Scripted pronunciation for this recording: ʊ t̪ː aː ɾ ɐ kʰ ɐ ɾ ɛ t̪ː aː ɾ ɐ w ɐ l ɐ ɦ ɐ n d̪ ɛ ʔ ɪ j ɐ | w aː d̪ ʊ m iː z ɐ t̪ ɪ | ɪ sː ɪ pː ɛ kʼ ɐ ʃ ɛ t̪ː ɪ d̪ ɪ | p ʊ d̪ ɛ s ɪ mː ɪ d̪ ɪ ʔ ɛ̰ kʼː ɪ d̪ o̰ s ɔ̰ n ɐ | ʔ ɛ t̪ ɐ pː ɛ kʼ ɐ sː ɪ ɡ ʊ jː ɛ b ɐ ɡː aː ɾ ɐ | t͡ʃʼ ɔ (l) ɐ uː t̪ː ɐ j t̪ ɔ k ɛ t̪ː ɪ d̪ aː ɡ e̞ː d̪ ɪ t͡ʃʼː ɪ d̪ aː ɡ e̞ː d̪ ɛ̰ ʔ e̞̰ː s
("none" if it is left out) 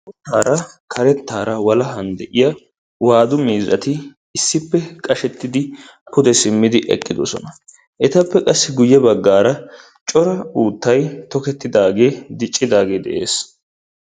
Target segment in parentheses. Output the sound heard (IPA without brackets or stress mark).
ɾ